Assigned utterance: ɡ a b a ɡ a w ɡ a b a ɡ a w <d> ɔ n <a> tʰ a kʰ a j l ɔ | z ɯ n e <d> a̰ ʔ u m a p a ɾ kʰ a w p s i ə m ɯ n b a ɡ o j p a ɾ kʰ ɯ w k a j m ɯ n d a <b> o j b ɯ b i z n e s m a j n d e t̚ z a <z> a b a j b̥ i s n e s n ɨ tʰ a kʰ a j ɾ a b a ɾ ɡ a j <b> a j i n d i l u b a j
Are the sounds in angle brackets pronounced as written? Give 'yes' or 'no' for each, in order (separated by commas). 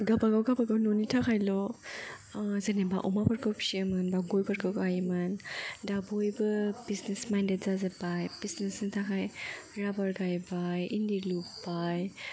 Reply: no, no, no, yes, yes, yes